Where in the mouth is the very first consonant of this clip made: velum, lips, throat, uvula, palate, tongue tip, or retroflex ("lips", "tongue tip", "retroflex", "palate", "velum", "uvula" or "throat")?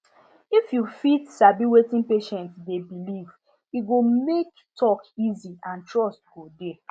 lips